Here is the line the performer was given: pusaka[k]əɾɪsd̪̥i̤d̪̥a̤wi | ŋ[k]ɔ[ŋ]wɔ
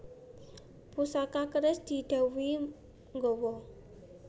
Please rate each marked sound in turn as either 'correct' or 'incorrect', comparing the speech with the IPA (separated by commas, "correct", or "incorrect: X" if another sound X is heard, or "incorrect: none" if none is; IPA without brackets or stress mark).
correct, incorrect: ɡ, incorrect: none